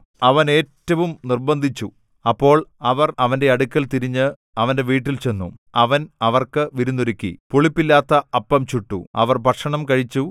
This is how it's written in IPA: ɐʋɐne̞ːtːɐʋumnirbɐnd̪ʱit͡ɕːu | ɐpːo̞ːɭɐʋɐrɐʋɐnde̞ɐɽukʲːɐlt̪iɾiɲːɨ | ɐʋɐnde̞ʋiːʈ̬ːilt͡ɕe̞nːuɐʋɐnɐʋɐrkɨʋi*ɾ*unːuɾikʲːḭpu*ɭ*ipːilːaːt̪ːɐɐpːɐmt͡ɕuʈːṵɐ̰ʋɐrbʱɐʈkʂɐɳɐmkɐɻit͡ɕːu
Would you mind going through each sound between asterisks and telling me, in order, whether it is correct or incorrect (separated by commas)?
correct, correct